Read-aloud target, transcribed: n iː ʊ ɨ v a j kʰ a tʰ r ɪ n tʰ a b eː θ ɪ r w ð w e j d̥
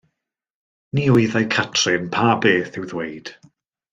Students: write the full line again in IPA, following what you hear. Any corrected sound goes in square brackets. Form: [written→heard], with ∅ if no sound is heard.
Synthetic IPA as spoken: n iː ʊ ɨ [v→ð] a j kʰ a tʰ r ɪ n [tʰ→pʰ] a b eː θ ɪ [r→∅] w ð w e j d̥